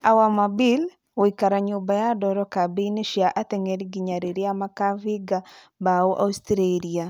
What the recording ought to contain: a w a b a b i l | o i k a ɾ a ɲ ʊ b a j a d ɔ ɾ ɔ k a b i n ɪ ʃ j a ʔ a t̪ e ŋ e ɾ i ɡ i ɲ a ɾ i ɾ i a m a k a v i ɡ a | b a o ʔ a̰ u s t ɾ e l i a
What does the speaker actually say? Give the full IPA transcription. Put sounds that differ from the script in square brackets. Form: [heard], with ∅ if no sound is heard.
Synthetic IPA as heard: a w a [m] a b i l | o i k a ɾ a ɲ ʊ b a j a d ɔ ɾ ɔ k a b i n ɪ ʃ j a ʔ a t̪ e ŋ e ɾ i ɡ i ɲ a ɾ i ɾ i a m a k a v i ɡ a | b a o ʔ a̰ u s t ɾ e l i a